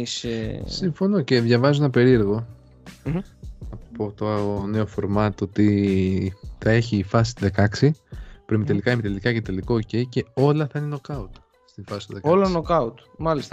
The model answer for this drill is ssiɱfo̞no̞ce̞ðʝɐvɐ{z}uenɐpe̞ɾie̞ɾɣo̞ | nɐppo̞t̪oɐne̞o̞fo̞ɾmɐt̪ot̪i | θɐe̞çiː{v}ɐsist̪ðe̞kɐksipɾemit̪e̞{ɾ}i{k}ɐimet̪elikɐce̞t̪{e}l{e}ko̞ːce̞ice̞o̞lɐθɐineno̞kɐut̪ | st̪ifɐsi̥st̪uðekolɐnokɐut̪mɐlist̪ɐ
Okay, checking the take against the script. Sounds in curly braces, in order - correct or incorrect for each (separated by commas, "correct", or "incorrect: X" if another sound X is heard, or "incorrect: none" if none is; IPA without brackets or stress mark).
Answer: correct, incorrect: f, incorrect: l, correct, correct, incorrect: i